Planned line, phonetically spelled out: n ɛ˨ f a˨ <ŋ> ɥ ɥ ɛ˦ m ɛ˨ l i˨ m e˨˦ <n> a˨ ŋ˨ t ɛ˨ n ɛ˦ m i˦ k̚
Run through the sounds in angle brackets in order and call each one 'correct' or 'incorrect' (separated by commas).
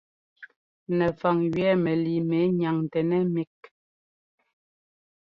correct, incorrect